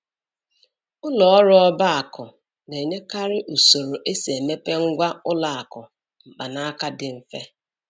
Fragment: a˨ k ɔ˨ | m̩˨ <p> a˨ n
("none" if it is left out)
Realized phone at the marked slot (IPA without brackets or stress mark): k͡p